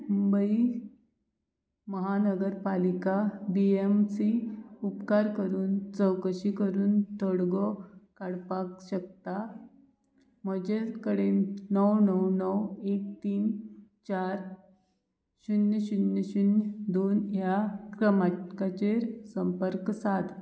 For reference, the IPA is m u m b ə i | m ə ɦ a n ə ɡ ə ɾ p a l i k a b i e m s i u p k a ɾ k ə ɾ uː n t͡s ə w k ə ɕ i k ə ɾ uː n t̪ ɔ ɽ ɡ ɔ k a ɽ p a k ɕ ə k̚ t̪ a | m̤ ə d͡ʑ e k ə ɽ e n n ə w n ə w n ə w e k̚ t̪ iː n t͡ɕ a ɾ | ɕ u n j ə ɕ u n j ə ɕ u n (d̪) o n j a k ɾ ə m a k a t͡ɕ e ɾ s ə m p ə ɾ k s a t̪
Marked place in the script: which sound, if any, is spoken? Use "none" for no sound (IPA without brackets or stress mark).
d̪